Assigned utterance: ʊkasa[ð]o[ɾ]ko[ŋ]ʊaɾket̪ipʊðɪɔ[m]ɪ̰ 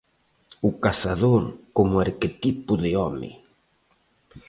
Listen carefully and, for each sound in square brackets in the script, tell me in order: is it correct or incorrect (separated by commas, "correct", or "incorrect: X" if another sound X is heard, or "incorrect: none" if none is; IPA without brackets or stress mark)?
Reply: correct, correct, incorrect: m, correct